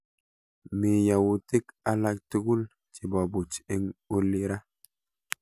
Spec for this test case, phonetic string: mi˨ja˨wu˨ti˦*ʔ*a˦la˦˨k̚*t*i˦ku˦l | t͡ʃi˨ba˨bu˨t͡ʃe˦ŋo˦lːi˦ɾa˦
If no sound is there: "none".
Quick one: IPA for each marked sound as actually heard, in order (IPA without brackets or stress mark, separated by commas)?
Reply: k, t